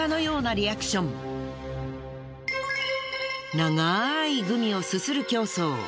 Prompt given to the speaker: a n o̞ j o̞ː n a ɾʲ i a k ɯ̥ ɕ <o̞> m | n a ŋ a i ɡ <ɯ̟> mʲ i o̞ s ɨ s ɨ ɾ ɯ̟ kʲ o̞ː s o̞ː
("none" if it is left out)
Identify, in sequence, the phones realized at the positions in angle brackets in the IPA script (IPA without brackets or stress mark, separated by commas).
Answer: õ̞, ɯ̟